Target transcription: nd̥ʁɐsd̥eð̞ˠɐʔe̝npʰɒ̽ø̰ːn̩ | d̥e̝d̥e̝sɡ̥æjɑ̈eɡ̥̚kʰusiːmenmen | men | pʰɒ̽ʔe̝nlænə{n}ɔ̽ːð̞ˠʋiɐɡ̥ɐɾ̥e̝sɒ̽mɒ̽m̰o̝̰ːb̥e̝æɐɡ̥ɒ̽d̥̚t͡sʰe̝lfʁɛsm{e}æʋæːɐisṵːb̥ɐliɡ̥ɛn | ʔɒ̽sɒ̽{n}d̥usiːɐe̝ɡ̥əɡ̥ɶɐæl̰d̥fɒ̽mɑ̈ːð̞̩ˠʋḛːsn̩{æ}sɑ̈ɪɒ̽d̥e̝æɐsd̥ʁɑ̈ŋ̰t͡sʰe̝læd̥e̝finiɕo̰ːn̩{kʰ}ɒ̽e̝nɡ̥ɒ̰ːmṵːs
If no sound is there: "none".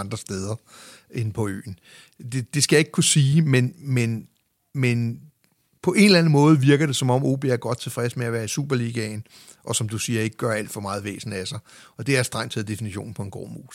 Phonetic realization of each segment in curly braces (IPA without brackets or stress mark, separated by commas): m, e, m, æ, pʰ